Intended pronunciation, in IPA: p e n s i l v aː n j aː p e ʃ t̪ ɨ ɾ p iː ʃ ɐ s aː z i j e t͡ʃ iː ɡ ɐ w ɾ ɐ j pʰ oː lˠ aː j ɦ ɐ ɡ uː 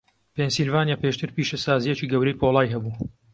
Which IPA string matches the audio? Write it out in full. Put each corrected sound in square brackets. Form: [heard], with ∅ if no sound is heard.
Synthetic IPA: p e n s i l v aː n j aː p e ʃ t̪ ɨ ɾ p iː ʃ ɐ s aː z i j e t͡ʃ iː ɡ ɐ w ɾ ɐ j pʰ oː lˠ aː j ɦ ɐ [b] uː